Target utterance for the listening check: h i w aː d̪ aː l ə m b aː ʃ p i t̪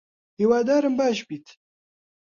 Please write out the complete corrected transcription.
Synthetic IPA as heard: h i w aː d̪ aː ɾ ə m b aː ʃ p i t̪